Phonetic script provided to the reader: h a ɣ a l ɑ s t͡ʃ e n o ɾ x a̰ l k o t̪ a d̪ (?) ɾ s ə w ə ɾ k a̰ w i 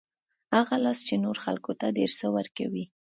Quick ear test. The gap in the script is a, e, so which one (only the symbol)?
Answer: e